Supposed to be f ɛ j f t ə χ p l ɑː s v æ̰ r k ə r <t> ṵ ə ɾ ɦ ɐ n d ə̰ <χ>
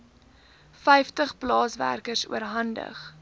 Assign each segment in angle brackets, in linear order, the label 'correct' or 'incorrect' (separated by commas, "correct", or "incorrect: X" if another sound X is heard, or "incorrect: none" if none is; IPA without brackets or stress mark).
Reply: incorrect: s, correct